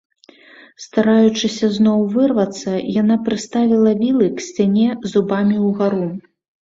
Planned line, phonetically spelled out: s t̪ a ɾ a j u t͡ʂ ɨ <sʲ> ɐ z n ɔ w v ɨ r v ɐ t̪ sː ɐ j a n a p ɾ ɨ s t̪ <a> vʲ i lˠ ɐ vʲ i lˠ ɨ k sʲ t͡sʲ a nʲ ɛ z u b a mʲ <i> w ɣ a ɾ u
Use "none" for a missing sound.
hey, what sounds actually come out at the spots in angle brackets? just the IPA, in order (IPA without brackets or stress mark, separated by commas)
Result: sʲ, a, i